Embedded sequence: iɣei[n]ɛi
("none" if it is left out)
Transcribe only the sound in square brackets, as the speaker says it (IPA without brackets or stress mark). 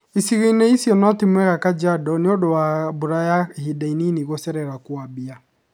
n